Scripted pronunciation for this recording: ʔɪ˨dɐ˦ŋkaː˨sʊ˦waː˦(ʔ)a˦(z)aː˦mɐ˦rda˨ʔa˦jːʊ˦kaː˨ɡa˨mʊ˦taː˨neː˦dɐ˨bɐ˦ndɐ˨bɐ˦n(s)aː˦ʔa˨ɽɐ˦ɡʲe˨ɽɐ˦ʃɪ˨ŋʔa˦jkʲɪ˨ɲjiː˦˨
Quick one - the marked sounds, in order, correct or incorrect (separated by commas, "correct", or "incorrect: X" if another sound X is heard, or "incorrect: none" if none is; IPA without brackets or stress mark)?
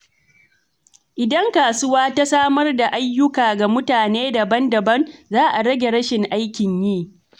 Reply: incorrect: t, incorrect: s, incorrect: z